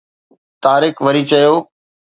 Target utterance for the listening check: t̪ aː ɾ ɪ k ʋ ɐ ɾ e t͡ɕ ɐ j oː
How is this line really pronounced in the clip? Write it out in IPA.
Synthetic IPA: t̪ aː ɾ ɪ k ʋ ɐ ɾ i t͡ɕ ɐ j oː